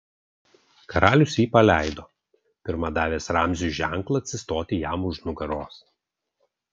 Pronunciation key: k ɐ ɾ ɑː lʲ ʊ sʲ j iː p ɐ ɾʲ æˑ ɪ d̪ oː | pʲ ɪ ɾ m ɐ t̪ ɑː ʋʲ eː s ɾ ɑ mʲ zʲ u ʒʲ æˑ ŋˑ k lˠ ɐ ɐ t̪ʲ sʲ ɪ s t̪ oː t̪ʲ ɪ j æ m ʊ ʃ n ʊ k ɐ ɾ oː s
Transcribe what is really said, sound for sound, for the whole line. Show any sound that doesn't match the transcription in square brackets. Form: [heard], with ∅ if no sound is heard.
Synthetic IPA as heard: k ɐ ɾ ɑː lʲ ʊ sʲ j iː p ɐ [lʲ] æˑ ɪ d̪ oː | pʲ ɪ ɾ m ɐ [d̪] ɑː ʋʲ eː s ɾ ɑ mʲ zʲ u ʒʲ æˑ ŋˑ k lˠ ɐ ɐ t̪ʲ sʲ ɪ s t̪ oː t̪ʲ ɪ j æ m ʊ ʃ n ʊ [ɡ] ɐ ɾ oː s